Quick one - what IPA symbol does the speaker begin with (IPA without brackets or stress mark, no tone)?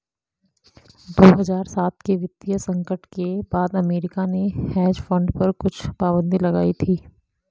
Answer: d̪